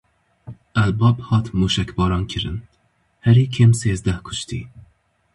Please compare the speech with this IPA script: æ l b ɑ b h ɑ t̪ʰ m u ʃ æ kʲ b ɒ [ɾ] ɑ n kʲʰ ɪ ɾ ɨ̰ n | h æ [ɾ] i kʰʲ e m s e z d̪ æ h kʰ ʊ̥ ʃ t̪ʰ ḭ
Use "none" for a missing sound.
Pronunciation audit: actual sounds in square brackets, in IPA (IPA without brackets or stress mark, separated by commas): ɾ, ɾ